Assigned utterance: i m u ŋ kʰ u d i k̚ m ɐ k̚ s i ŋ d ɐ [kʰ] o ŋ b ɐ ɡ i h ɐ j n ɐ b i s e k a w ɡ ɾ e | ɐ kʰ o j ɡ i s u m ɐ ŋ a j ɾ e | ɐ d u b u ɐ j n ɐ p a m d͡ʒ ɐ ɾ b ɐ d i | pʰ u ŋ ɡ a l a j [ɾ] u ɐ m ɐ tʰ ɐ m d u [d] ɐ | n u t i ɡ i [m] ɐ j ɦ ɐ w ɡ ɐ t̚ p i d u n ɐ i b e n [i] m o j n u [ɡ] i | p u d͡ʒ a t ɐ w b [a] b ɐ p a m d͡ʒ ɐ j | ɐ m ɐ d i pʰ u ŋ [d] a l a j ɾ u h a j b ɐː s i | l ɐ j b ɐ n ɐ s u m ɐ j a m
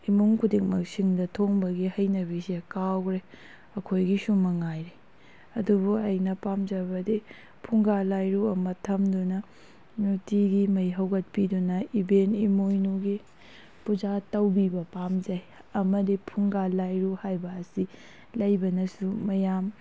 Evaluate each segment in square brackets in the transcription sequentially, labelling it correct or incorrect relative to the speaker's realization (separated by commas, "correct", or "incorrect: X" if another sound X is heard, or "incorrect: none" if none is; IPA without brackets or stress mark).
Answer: incorrect: tʰ, correct, incorrect: n, correct, correct, correct, incorrect: i, incorrect: ɡ